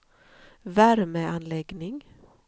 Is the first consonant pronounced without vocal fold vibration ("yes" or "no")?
no